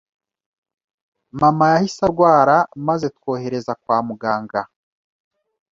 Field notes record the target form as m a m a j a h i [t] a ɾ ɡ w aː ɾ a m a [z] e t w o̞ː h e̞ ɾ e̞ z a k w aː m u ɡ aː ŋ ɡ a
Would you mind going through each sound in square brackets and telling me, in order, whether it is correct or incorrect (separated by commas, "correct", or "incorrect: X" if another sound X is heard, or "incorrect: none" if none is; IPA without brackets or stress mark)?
incorrect: s, correct